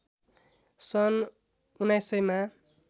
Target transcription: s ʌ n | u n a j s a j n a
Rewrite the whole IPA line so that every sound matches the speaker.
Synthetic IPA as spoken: s ʌ n | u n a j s ʌ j m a